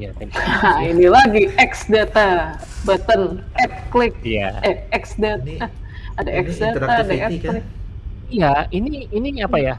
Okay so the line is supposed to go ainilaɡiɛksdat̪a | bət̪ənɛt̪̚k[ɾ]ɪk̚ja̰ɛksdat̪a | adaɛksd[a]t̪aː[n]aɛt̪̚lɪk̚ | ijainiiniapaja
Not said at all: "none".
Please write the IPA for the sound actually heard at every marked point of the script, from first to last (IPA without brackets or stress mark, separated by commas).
l, a, d